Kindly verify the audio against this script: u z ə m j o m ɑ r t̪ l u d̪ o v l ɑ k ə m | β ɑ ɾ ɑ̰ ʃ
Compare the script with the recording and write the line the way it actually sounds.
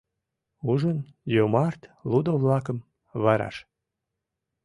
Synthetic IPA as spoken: u ʒ ə n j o m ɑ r t̪ l u d̪ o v l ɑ k ə m | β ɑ ɾ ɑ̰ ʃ

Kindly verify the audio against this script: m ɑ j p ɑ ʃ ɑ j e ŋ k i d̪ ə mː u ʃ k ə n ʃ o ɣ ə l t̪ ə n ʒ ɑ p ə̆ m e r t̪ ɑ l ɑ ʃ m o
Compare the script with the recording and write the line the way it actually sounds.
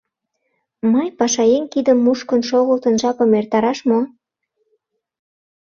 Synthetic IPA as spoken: m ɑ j p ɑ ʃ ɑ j e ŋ k i d̪ ə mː u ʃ k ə n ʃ o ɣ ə l t̪ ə n ʒ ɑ p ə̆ m e r t̪ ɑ ɾ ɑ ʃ m o

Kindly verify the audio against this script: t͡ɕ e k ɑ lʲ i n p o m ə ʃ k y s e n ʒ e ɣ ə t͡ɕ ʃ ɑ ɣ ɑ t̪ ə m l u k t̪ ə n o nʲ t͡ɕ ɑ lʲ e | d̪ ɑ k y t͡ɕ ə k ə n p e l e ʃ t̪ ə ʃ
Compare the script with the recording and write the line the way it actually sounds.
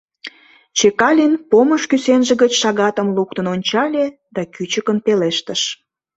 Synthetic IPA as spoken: t͡ɕ e k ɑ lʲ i n p o m ə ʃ k y s e n ʒ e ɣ ə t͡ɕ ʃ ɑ ɣ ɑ t̪ ə m l u k t̪ ə n o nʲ t͡ɕ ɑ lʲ e | d̪ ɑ k y t͡ɕ ə k ə n p e l e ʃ t̪ ə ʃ

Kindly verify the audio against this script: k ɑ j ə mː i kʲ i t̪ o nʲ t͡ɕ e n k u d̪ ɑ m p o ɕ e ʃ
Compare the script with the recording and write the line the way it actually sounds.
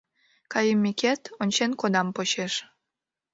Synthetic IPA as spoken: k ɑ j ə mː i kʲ e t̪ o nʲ t͡ɕ e n k o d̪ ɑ m p o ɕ e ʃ

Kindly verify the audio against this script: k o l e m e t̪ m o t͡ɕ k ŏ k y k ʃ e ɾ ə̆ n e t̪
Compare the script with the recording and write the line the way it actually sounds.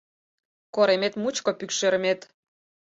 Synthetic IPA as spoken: k o ɾ e m e t̪ m u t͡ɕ k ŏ p y k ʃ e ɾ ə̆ m e t̪

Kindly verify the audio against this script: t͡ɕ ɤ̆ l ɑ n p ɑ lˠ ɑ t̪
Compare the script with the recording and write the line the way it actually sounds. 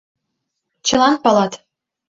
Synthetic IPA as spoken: t͡ɕ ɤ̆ l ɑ n p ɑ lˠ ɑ t̪

